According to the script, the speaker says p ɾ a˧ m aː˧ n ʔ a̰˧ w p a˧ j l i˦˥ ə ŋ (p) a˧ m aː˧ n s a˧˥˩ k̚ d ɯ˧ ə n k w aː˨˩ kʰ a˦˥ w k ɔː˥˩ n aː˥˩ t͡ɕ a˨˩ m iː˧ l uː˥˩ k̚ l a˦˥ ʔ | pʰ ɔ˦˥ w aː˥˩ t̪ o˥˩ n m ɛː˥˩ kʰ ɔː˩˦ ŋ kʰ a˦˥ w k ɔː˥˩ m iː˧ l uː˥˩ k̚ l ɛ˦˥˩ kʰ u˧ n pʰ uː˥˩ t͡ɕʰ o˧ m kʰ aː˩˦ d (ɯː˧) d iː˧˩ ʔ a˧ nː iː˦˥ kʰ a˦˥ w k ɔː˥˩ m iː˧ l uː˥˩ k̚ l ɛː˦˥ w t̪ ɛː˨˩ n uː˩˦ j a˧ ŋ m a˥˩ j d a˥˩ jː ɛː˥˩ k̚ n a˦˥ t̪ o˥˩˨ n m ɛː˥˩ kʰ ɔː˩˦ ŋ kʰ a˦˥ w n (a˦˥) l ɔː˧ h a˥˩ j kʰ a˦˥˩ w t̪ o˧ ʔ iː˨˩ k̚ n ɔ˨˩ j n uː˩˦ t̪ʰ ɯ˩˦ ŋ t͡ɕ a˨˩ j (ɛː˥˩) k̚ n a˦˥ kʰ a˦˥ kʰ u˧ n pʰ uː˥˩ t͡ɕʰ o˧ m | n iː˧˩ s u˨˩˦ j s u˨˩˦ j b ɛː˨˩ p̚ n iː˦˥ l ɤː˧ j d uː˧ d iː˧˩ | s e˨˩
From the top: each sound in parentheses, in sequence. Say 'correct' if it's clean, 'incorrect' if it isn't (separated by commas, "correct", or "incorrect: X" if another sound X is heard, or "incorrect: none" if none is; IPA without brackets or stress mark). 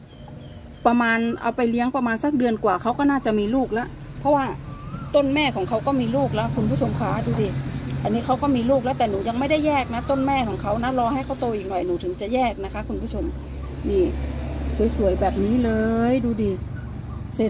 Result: correct, incorrect: uː˧, correct, correct